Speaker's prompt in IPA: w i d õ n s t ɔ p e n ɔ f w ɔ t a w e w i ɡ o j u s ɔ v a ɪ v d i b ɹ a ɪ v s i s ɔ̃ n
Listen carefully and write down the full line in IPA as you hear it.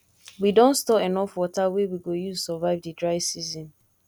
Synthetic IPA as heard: w i d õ n s t ɔ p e n ɔ f w ɔ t a w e w i ɡ o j u s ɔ v a ɪ v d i d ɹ a ɪ v s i z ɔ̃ n